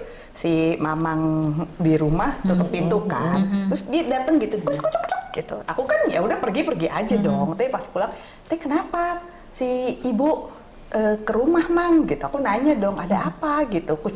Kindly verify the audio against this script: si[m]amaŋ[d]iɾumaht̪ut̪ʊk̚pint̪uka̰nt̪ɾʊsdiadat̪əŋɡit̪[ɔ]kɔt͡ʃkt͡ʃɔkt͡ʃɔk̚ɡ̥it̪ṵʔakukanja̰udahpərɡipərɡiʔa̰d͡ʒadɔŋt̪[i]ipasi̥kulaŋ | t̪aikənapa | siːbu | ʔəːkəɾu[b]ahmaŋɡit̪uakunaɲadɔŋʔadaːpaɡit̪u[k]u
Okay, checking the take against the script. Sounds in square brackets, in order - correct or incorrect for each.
correct, correct, incorrect: u, incorrect: a, incorrect: m, correct

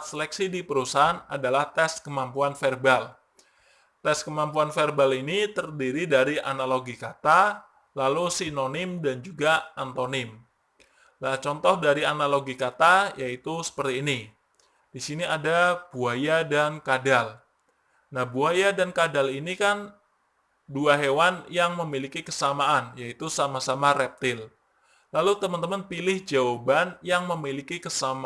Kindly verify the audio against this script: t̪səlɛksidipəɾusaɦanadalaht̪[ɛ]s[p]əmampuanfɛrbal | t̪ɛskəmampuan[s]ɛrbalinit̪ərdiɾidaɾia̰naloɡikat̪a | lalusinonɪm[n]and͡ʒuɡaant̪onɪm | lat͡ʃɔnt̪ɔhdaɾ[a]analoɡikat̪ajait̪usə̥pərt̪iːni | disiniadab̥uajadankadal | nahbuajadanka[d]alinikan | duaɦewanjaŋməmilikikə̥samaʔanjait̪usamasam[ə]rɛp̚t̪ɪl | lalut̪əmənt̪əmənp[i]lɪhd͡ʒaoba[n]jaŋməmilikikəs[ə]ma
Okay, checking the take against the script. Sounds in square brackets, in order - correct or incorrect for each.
correct, incorrect: k, incorrect: f, incorrect: d, incorrect: i, correct, incorrect: a, correct, correct, incorrect: a

